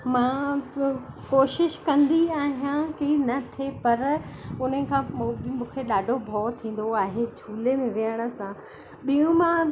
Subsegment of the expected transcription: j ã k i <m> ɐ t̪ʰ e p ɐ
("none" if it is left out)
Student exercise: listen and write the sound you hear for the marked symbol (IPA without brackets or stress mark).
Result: n